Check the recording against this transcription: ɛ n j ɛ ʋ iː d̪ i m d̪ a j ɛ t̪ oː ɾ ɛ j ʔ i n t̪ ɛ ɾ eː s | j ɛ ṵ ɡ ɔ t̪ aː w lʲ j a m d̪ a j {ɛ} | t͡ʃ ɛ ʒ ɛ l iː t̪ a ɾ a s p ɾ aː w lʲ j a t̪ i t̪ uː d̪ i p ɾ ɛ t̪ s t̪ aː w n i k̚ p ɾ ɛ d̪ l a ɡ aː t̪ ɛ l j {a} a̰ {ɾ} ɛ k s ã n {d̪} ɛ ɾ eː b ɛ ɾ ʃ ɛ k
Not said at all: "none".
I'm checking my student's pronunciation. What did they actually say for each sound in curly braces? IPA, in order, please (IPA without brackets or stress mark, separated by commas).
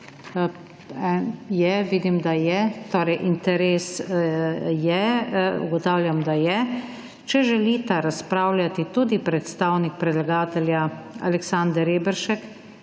ɛ, a, l, d̪